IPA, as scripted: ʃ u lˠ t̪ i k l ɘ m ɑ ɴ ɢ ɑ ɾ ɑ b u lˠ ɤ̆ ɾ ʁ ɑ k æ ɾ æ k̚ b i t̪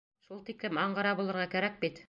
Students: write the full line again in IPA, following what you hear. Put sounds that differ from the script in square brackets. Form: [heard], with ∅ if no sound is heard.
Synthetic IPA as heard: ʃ u lˠ t̪ i k l ɘ m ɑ ɴ ɢ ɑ ɾ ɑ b u lˠ ɤ̆ ɾ ʁ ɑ k æ ɾ æ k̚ b i t̪